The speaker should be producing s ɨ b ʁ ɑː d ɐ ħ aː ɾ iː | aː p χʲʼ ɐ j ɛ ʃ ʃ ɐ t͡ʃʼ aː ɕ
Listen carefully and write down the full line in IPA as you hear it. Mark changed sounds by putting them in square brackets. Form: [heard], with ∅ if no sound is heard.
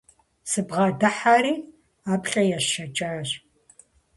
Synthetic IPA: s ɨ b ʁ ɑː d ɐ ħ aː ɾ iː | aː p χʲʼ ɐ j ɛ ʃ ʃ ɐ t͡ʃʼ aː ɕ